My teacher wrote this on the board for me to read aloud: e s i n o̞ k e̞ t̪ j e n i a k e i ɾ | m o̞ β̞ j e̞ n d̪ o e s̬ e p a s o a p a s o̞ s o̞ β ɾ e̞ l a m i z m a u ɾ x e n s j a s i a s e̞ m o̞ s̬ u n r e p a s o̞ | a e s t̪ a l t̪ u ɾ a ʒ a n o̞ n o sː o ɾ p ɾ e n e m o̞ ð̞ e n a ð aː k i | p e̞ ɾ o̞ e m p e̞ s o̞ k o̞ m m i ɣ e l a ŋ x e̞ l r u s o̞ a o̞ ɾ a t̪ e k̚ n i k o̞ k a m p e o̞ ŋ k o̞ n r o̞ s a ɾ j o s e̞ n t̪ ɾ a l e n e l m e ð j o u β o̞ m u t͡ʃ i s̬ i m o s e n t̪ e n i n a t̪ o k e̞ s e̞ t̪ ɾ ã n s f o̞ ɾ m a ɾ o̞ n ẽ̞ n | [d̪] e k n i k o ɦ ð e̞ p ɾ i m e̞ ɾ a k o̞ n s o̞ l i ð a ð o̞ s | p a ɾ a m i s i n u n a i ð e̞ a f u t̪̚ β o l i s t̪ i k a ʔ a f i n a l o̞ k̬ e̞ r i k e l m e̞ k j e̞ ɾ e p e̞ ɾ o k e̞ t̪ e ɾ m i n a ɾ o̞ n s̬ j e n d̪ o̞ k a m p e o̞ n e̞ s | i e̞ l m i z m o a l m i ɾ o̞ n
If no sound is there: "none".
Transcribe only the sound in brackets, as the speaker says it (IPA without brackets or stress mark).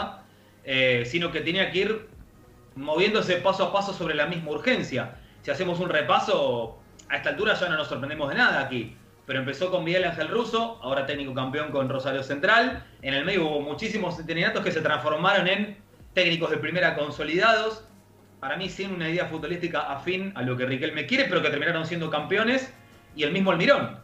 t̪